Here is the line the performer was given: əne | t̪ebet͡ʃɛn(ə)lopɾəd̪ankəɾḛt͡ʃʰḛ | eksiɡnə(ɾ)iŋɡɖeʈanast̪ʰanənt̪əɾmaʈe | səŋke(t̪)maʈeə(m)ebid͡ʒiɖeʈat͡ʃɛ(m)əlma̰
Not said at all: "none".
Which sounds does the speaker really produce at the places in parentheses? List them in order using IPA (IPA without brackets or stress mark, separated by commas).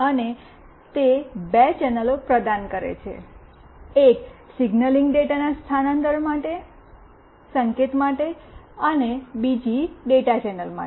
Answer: ə, l, t̪, n, n